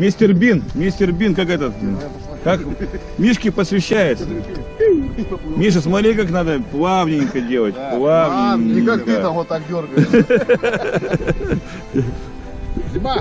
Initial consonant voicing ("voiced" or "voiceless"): voiced